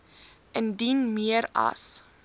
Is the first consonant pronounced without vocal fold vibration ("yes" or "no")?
no